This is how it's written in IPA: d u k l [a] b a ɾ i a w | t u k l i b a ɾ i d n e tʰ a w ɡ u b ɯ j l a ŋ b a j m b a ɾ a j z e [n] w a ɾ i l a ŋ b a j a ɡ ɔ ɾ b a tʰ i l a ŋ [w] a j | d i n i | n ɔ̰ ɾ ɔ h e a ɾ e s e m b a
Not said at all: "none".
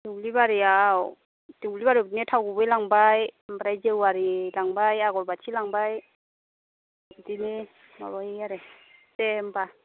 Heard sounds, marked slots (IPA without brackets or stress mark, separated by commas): i, none, b